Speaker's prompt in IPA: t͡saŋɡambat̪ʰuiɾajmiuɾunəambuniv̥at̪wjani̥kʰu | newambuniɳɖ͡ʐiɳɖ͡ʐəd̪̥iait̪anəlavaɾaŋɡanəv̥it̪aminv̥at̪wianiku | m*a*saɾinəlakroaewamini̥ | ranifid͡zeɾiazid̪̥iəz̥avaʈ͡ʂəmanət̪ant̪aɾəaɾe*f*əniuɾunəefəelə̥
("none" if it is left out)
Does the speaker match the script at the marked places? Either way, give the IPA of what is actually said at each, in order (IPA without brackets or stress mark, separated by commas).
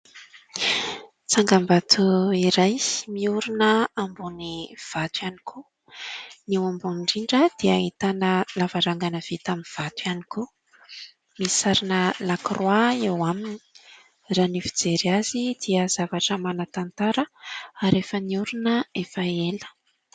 i, f